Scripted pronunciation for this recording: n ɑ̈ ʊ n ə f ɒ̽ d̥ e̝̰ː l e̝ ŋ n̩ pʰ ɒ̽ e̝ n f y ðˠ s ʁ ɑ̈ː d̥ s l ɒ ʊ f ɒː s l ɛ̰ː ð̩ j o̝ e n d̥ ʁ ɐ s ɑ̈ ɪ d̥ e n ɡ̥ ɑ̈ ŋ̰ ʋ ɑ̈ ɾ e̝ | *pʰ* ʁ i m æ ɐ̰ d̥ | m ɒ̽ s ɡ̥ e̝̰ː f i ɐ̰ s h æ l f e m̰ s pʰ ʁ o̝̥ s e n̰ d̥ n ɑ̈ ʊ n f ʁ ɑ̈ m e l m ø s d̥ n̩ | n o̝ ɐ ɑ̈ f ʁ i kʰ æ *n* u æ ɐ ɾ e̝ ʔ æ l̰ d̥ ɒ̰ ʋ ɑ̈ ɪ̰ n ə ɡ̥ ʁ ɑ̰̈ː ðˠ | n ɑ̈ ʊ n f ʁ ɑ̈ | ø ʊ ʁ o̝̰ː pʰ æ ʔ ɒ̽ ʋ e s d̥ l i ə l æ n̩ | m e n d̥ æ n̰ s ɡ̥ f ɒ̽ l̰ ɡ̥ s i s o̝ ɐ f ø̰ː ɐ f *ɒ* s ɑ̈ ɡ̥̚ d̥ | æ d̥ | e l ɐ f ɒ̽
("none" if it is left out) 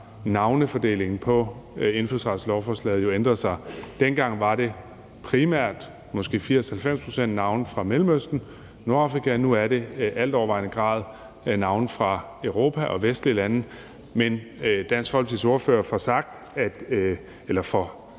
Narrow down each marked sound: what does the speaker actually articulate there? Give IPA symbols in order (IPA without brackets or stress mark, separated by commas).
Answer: pʰ, n, ɒ